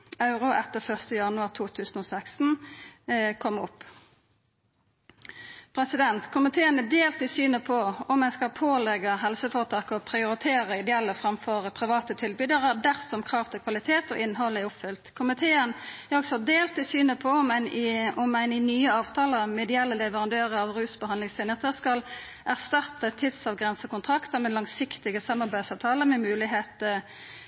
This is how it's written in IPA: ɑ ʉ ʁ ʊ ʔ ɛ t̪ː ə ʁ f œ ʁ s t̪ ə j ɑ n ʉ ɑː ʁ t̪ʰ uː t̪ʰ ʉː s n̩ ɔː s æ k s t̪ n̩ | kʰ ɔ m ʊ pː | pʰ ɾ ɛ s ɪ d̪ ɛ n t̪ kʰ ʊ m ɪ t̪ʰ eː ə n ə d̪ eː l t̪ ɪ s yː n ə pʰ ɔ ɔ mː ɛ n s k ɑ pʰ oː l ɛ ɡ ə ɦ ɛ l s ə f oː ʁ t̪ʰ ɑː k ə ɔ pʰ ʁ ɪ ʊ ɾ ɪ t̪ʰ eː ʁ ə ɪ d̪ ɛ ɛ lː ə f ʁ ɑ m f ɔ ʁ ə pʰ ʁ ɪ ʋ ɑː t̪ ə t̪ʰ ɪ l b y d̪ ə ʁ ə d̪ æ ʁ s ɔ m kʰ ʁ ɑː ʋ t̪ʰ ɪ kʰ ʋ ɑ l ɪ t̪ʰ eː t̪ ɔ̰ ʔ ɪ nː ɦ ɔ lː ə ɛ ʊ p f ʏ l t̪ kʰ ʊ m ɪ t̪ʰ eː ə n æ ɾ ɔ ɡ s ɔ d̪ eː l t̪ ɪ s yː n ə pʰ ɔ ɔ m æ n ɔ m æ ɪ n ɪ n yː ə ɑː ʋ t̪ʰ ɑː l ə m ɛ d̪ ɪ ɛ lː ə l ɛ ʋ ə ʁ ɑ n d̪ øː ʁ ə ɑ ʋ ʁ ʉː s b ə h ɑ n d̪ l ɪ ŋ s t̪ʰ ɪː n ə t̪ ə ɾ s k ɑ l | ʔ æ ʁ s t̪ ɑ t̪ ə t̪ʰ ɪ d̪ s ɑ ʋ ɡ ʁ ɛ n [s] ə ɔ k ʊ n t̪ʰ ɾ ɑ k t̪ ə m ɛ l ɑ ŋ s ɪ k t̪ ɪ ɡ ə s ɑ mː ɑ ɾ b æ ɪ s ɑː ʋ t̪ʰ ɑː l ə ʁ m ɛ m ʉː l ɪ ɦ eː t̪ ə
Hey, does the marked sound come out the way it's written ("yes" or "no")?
yes